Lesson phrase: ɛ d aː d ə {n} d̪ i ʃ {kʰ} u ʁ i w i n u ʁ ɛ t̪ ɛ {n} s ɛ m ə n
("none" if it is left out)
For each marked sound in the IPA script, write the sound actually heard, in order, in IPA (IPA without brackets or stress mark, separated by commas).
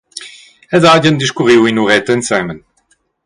n, k, n